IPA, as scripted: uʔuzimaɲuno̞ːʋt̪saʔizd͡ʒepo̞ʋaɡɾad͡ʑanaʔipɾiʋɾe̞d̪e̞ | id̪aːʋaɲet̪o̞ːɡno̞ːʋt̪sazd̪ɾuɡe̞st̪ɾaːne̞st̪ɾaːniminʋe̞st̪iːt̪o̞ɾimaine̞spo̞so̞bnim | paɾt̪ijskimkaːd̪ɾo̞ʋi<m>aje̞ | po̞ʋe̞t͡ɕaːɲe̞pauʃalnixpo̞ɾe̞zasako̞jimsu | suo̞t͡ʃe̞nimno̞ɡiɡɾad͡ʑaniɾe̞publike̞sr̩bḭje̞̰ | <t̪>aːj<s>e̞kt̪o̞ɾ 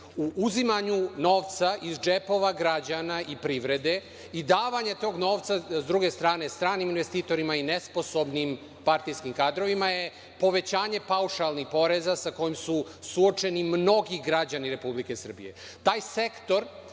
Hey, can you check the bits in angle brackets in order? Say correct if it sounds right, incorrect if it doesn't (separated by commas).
correct, correct, correct